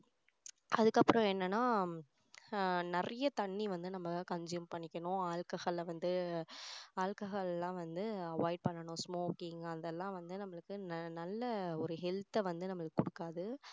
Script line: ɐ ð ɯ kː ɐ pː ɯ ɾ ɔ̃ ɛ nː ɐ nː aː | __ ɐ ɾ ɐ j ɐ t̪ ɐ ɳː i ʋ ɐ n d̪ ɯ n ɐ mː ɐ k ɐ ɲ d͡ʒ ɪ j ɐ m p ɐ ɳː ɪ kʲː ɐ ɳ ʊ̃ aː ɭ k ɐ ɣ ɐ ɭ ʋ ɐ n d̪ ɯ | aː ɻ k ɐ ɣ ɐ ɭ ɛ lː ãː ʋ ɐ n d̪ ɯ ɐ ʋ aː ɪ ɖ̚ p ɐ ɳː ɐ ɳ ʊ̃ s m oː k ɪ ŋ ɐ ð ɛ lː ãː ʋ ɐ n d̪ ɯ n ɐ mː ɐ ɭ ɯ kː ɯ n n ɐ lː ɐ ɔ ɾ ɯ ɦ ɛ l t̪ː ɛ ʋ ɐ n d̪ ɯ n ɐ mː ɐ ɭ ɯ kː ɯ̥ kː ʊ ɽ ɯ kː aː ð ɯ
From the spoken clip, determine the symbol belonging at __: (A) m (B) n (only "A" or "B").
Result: B